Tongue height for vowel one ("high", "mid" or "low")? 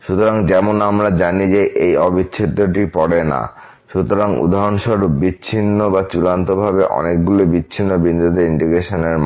high